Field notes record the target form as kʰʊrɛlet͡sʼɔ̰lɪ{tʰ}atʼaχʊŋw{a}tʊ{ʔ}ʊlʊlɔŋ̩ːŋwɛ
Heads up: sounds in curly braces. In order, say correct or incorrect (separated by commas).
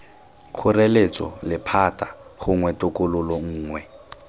incorrect, incorrect, incorrect